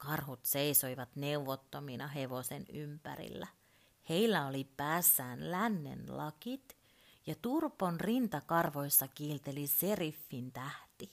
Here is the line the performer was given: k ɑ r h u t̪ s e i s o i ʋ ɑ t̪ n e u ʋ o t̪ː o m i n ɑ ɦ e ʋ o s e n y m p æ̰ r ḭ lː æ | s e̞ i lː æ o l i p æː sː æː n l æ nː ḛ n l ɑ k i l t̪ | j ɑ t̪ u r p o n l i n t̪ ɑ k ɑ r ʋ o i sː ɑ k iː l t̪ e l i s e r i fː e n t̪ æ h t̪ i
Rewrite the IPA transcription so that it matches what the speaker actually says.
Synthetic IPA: k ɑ r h u t̪ s e i s o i ʋ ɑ t̪ n e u ʋ o t̪ː o m i n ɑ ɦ e ʋ o s e n y m p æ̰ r ḭ lː æ | h e̞ i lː æ o l i p æː sː æː n l æ nː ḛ n l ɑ k i t̪ | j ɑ t̪ u r p o n r i n t̪ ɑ k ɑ r ʋ o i sː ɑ k iː l t̪ e l i s e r i fː i n t̪ æ h t̪ i